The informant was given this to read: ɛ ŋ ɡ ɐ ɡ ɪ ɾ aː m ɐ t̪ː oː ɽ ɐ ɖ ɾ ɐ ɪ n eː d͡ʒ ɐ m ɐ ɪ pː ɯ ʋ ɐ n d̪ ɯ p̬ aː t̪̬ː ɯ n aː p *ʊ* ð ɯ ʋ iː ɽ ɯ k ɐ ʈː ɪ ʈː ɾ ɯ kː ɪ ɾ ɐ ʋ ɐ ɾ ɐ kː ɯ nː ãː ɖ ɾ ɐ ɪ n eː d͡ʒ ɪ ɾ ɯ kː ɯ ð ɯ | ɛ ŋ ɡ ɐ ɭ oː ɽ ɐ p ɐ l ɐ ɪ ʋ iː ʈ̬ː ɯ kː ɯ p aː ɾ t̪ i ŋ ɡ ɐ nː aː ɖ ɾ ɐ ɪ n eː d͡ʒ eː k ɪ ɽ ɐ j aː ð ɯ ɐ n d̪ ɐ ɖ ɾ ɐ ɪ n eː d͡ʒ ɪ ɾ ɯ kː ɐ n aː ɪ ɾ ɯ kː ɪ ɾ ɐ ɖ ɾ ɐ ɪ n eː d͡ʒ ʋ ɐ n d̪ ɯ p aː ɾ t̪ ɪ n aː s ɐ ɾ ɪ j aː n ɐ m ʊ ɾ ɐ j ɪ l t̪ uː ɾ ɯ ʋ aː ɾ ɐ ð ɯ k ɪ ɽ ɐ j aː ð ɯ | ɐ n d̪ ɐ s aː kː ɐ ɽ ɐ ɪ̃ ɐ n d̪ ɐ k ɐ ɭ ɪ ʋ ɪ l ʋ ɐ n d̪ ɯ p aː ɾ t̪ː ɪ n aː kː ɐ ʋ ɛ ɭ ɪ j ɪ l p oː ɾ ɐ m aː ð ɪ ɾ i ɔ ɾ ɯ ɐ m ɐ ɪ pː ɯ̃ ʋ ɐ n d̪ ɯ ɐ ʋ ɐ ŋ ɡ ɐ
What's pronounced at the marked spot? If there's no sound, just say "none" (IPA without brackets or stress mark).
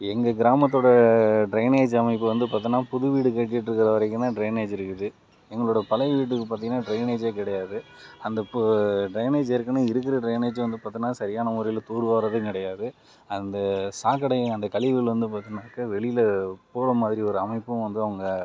ʊ